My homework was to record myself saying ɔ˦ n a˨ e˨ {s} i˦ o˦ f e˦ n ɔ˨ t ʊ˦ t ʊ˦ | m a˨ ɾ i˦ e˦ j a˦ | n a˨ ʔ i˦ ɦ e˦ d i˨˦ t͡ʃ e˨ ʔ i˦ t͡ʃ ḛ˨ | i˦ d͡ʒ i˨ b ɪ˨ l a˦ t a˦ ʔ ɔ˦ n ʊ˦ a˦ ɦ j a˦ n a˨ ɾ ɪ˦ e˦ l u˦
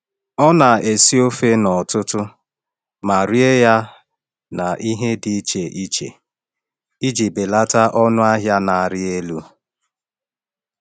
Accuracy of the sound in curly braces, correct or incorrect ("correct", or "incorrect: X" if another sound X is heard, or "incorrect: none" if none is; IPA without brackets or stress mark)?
correct